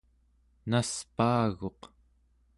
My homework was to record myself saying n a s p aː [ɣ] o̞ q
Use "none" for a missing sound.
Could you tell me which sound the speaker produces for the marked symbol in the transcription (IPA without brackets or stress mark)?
ɣ